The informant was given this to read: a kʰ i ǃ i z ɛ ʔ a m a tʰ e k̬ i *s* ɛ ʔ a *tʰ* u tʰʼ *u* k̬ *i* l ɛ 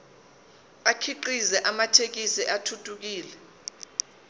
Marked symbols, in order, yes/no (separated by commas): yes, yes, yes, no